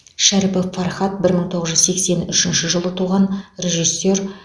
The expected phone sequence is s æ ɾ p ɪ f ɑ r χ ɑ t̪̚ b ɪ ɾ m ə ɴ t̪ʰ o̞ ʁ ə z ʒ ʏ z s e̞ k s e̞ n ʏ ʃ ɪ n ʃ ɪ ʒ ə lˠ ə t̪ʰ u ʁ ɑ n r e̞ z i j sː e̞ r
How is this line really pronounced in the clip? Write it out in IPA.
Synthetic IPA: ʃ æ ɾ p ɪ f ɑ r χ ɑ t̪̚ b ɪ ɾ m ə ɴ t̪ʰ o̞ ʁ ə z ʒ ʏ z s e̞ k s e̞ n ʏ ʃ ɪ n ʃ ɪ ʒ ə lˠ ə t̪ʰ u ʁ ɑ n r e̞ ʒ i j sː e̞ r